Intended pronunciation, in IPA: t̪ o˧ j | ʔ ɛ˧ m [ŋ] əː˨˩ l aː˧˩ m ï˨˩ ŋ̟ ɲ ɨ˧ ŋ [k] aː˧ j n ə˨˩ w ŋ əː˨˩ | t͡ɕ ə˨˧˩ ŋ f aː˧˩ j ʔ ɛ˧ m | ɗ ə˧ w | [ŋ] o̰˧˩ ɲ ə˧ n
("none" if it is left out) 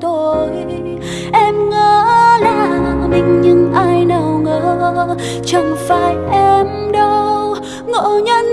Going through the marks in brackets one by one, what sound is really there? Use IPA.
ŋ, ʔ, ŋ

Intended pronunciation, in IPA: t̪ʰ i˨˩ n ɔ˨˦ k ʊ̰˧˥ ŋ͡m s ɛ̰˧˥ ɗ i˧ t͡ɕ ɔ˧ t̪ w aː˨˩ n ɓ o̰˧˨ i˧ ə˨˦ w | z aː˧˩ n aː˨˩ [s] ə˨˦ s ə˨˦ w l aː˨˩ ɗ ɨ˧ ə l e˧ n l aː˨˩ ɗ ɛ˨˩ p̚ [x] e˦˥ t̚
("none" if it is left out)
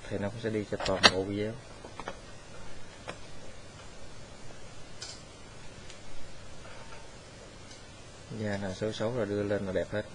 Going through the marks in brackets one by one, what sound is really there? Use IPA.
s, h

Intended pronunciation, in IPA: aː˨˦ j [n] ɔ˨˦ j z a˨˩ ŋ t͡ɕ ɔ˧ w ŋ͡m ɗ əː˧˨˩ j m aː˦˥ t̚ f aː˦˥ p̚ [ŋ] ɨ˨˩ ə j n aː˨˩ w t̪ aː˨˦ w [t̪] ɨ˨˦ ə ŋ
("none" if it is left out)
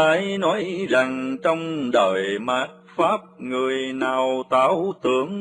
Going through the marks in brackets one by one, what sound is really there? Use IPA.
n, ŋ, t̪

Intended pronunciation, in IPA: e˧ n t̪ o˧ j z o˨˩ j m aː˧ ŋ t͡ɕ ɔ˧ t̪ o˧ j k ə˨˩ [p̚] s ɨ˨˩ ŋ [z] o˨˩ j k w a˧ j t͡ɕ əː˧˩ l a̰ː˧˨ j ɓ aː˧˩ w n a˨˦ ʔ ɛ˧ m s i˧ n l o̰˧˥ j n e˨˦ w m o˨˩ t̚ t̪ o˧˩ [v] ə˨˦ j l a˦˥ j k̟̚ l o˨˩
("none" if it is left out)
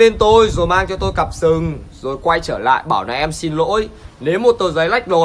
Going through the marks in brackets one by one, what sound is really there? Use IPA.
p̚, z, z

